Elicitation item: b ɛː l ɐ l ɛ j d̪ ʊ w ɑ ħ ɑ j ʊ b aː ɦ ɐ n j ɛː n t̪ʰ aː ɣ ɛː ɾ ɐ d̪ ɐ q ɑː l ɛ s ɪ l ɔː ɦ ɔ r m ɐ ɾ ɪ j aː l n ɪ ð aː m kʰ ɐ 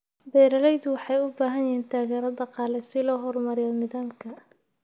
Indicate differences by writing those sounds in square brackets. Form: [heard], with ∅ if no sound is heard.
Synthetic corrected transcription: b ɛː [ɾ] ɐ l ɛ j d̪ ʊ w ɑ ħ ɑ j ʊ b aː ɦ ɐ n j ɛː n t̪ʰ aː ɣ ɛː ɾ ɐ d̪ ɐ q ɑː l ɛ s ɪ l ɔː ɦ ɔ r m ɐ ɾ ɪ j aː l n ɪ ð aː m kʰ ɐ